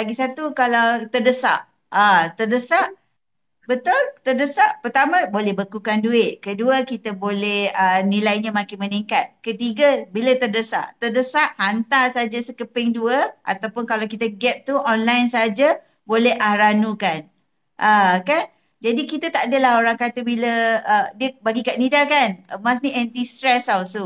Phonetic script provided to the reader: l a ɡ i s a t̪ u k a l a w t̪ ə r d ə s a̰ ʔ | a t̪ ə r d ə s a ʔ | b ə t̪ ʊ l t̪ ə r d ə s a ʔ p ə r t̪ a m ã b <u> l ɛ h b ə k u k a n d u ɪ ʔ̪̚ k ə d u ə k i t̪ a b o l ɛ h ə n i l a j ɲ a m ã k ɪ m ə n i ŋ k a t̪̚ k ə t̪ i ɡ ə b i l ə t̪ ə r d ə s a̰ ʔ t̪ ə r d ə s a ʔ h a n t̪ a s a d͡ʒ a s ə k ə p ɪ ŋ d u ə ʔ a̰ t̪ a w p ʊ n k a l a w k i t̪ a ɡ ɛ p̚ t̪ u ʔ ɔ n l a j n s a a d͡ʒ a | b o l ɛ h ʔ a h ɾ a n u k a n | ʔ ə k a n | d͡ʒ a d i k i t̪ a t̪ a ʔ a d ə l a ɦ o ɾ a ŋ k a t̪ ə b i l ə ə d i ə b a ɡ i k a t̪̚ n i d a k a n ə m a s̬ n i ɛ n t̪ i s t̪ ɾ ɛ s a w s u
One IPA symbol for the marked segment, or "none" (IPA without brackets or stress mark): o